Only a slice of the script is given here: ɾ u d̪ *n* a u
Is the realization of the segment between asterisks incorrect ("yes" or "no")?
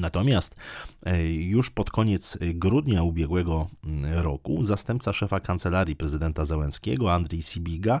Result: yes